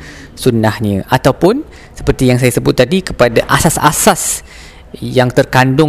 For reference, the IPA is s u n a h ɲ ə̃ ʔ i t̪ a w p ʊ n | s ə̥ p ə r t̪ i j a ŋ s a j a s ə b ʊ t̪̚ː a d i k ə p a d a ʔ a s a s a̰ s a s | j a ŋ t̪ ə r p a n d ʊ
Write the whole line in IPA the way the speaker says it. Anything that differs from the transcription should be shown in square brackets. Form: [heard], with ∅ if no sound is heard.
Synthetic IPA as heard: s u n a h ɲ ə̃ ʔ [a] t̪ a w p ʊ n | s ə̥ p ə r t̪ i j a ŋ s a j a s ə b ʊ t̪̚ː a d i k ə p a d a ʔ a s a s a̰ s a s | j a ŋ t̪ ə r [k] a n d ʊ